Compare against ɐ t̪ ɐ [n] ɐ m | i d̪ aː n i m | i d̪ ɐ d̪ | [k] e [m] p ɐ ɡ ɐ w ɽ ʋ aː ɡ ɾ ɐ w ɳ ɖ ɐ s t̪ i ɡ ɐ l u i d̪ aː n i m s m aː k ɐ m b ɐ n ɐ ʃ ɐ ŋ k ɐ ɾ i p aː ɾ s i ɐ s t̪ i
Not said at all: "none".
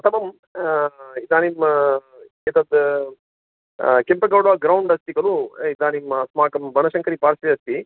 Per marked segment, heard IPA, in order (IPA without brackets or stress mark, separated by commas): m, k, m